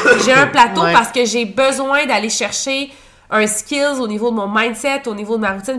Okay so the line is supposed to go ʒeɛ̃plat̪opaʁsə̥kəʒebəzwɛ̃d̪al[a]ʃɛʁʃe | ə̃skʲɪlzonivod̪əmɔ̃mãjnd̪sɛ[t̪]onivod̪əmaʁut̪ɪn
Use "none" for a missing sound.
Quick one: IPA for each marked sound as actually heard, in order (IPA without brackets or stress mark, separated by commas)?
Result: e, t̪